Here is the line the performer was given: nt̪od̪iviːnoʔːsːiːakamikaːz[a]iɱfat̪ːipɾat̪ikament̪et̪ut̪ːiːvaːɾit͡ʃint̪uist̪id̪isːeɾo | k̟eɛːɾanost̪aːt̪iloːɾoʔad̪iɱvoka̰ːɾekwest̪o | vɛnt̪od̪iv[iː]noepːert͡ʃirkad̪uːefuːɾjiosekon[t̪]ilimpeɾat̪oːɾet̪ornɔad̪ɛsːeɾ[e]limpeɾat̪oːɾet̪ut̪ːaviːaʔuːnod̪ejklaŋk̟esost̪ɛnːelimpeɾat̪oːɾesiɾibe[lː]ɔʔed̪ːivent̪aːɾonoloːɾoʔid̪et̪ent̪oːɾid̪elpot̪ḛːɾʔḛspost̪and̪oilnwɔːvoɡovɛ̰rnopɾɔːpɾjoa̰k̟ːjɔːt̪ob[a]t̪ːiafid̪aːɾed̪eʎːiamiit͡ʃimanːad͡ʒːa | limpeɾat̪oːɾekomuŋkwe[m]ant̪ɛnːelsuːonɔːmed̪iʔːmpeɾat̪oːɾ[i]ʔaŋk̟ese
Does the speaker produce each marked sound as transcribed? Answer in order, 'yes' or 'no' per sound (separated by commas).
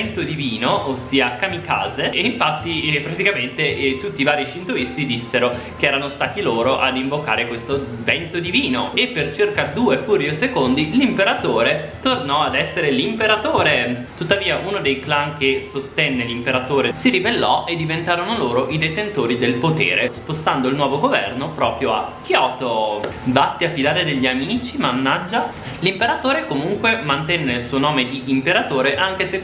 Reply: no, yes, no, yes, yes, yes, yes, no